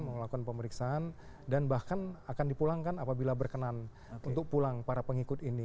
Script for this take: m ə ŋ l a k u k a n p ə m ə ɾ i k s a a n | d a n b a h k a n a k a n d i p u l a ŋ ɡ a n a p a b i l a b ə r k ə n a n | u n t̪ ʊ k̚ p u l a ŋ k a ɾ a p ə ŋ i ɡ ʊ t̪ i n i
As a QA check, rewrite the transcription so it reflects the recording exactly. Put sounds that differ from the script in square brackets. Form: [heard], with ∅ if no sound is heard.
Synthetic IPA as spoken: m ə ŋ l a k u k a n p ə m ə ɾ i k s a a n | d a n b a h k a n a k a n d i p u l a ŋ [k] a n a p a b i l a b ə r k ə n a n | u n t̪ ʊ k̚ p u l a ŋ [p] a ɾ a p ə ŋ i [k] ʊ t̪ i n i